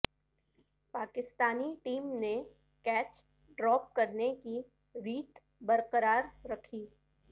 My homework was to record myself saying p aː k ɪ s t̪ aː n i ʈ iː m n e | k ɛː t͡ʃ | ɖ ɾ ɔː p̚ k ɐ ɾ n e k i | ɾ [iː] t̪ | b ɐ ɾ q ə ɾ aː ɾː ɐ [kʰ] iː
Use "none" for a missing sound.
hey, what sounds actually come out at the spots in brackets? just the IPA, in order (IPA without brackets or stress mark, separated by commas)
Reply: iː, kʰ